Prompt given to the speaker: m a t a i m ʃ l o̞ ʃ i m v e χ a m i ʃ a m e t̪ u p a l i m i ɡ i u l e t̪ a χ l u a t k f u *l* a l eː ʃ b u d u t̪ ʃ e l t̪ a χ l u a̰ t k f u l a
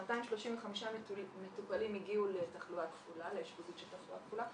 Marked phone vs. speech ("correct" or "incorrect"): correct